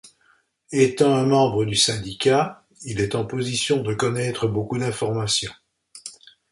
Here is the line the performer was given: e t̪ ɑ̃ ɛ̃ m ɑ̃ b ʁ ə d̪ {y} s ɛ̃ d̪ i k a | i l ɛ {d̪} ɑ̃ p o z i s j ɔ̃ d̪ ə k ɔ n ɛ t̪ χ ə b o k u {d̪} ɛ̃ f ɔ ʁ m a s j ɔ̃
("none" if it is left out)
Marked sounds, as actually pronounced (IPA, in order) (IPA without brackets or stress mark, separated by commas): y, t̪, d̪